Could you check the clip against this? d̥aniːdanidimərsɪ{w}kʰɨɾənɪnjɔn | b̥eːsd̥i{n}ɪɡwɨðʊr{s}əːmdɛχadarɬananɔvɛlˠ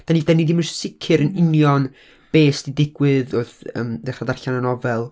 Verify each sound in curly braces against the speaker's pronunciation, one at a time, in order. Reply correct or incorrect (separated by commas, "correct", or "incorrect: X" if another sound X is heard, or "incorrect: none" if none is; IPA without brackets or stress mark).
incorrect: none, incorrect: d, incorrect: θ